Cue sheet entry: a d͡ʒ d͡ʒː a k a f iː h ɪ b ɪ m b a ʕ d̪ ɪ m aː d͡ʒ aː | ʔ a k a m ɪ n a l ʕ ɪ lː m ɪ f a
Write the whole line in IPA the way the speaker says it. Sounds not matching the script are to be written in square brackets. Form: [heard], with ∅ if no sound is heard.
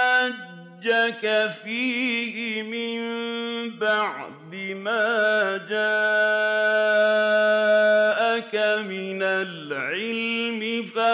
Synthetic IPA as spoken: a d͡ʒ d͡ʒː a k a f iː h ɪ [m] ɪ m b a ʕ d̪ ɪ m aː d͡ʒ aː | ʔ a k a m ɪ n a l ʕ ɪ [l] m ɪ f a